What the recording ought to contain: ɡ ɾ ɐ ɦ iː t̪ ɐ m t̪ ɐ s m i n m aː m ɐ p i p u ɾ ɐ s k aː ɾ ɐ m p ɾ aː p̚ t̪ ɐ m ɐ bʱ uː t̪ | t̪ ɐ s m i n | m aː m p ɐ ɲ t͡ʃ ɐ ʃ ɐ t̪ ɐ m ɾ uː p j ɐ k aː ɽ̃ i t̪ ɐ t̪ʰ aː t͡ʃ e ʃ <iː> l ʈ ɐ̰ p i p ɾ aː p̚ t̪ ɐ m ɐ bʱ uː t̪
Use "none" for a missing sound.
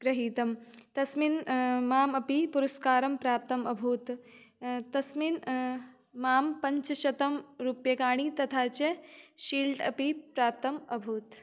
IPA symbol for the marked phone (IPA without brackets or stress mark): iː